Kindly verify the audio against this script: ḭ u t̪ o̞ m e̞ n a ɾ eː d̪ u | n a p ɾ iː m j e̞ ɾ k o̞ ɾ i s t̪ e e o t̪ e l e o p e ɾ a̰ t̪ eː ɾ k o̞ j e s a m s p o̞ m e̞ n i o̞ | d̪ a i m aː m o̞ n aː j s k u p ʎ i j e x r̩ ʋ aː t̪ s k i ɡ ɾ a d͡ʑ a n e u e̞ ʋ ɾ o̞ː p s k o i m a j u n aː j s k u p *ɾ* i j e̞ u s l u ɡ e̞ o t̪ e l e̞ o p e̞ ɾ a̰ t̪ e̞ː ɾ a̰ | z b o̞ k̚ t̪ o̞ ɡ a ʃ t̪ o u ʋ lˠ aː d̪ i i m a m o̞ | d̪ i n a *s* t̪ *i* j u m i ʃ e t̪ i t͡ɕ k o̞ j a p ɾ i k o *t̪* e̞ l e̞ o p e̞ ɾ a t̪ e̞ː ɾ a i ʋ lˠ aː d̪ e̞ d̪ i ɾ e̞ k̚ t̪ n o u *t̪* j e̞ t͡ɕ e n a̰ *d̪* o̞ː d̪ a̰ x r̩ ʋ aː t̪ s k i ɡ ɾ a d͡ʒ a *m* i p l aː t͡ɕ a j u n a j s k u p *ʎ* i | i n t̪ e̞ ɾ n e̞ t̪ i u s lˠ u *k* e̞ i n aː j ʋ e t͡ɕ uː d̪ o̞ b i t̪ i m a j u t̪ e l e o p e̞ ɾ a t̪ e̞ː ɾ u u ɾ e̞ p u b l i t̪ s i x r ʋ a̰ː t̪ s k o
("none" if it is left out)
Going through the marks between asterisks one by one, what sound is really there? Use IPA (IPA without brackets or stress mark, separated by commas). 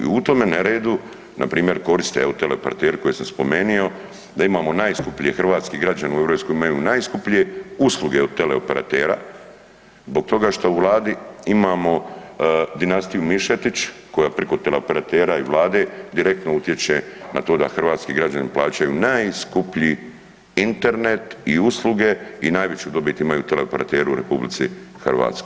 ʎ, s, i, t̪, t̪, t̪, n, ʎ, ɡ